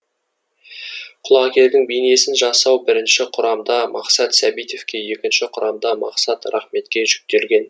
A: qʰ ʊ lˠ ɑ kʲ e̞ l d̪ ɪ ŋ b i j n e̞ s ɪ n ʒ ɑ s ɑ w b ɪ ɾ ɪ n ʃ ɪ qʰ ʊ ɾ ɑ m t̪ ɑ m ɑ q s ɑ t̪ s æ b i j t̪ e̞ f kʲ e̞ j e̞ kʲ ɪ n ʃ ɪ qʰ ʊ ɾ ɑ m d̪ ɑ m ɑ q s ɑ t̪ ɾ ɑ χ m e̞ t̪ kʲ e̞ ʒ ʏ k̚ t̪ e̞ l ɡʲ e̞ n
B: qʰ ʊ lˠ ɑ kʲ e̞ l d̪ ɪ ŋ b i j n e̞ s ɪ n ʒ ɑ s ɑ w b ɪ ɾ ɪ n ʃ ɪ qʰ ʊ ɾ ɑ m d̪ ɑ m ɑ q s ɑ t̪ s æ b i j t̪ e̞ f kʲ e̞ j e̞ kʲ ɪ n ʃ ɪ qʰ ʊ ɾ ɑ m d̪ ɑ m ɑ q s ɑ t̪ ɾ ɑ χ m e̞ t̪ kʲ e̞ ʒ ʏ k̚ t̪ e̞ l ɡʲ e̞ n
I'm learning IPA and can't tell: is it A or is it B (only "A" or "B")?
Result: B